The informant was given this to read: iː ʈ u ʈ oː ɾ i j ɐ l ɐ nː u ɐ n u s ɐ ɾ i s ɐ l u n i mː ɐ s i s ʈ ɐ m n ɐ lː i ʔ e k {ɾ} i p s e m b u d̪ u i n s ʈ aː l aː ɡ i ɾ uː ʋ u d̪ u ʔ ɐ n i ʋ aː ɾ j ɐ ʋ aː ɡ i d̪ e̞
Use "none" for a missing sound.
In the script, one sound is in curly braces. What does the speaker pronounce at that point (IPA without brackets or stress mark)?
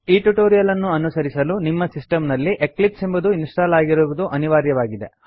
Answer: l